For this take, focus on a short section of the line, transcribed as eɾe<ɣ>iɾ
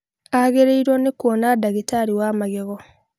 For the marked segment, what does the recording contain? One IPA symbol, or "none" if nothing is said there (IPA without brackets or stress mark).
none